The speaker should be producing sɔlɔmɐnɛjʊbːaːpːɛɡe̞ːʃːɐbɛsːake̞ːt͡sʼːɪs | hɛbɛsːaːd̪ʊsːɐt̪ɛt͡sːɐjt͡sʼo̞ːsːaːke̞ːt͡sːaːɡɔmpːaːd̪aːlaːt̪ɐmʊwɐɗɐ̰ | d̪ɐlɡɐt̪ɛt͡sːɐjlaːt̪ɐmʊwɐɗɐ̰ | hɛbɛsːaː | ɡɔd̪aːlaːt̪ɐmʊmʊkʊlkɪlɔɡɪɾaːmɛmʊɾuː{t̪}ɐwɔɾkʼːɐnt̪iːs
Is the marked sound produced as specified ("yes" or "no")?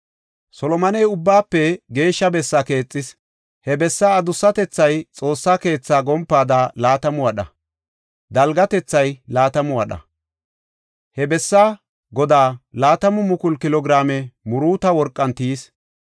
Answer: yes